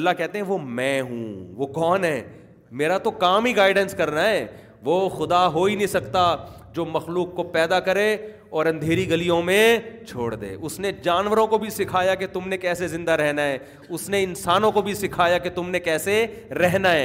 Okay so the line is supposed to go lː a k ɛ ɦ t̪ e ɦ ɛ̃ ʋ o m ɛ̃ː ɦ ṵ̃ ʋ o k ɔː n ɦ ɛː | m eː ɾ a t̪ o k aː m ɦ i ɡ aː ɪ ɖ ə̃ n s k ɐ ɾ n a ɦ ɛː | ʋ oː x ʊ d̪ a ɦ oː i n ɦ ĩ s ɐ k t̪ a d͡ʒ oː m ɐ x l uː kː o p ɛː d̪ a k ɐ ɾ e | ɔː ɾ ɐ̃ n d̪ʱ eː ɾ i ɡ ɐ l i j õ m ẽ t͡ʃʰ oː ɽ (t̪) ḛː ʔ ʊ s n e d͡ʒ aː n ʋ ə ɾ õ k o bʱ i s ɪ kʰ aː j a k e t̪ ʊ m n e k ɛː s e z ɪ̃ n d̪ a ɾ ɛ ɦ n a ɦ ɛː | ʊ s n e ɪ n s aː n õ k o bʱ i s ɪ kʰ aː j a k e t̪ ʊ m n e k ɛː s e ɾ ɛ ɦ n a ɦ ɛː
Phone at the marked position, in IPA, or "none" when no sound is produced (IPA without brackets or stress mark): d̪